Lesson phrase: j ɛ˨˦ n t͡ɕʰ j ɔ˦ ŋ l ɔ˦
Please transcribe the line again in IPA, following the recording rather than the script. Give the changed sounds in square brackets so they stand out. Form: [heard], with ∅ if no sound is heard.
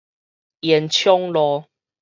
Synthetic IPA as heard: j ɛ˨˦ n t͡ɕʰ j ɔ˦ ŋ l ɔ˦